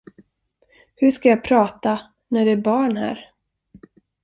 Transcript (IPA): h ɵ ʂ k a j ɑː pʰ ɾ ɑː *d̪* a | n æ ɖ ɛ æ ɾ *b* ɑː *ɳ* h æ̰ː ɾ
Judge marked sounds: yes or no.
no, yes, yes

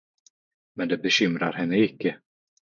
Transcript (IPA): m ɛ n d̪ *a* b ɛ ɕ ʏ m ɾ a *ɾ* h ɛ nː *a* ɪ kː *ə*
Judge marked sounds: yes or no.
no, yes, no, yes

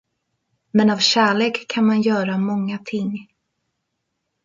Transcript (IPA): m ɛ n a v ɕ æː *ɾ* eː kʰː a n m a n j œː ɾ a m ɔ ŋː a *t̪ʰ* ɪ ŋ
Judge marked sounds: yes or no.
no, yes

